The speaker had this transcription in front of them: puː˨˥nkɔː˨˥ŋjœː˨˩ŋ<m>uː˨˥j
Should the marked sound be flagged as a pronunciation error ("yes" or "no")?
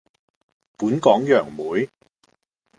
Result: no